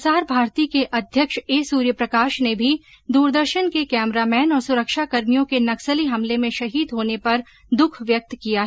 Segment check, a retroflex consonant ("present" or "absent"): absent